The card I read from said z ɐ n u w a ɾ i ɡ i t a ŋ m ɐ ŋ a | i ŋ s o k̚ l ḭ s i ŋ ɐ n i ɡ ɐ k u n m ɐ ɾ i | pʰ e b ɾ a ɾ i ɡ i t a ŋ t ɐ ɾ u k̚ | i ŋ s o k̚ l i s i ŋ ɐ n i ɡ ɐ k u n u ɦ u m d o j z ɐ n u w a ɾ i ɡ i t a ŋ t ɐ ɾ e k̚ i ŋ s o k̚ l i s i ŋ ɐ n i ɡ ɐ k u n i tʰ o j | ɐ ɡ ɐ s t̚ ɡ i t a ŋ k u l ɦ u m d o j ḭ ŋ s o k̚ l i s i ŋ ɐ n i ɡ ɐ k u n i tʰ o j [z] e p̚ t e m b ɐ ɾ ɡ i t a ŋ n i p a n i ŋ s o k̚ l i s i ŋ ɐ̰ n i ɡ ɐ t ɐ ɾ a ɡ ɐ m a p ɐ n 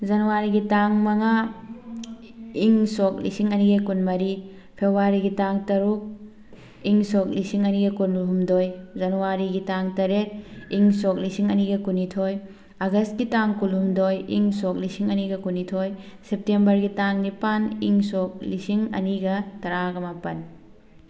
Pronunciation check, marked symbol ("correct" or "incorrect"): incorrect